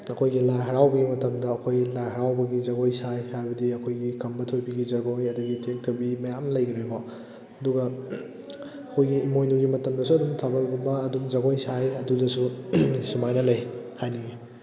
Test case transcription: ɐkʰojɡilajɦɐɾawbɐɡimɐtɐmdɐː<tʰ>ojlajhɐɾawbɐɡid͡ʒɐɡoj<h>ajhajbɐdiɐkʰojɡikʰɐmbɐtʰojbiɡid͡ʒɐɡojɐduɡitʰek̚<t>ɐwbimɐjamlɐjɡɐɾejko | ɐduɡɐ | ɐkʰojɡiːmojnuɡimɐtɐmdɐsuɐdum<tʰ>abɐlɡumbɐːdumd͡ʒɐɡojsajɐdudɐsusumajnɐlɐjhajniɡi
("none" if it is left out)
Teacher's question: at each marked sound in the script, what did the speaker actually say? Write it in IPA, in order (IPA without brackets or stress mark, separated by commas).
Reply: kʰ, s, tʰ, tʰ